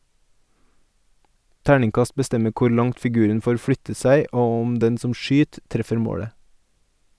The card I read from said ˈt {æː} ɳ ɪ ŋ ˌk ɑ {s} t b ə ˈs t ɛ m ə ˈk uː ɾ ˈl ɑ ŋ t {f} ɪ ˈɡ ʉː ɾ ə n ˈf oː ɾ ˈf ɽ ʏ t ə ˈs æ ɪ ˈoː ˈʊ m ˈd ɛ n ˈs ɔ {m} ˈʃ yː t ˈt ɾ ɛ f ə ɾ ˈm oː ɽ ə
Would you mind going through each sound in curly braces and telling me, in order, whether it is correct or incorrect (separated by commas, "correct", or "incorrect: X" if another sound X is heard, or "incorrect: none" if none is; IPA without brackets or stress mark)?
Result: correct, correct, correct, correct